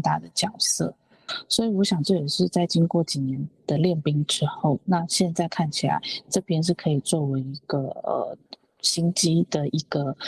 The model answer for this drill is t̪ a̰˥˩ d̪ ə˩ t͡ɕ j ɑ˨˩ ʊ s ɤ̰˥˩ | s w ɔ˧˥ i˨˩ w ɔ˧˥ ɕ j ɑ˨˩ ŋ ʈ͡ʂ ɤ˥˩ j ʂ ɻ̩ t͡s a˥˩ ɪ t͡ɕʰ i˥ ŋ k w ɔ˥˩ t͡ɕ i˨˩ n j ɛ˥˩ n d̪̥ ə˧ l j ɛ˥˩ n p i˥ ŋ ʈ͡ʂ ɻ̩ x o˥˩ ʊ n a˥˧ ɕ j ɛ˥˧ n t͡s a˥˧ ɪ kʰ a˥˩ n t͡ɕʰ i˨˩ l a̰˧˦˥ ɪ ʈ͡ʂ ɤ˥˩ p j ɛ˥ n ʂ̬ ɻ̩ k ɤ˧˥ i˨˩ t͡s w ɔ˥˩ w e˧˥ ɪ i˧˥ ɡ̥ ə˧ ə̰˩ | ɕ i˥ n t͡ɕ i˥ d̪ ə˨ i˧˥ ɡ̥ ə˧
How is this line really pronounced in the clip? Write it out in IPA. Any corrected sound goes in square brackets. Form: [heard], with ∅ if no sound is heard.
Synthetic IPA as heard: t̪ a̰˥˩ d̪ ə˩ t͡ɕ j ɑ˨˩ ʊ s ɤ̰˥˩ | s w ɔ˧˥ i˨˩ w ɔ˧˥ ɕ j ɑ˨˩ ŋ ʈ͡ʂ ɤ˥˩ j ʂ ɻ̩ t͡s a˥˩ ɪ [t͡ɕ] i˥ ŋ k w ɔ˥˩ t͡ɕ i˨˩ n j [ɛ˧˥] n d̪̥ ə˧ l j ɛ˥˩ n p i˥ ŋ ʈ͡ʂ ɻ̩ x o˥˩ ʊ n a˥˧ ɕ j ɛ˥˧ n t͡s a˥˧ ɪ kʰ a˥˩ n t͡ɕʰ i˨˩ l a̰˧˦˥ ɪ ʈ͡ʂ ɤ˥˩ p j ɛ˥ n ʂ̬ ɻ̩ [kʰ] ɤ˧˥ i˨˩ t͡s w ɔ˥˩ w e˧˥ ɪ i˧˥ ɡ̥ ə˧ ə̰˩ | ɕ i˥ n t͡ɕ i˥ d̪ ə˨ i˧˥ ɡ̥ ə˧